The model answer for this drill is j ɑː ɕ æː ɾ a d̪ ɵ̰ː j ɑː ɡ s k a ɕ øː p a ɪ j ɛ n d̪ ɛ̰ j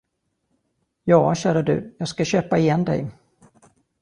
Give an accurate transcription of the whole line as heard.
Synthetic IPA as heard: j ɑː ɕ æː ɾ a d̪ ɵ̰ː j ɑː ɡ s k a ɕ øː p a ɪ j ɛ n d̪ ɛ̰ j

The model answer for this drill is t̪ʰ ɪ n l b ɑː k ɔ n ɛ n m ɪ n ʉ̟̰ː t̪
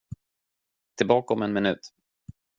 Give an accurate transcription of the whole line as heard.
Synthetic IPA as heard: t̪ʰ ɪ l b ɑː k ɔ m ɛ n m ɪ n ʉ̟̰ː t̪

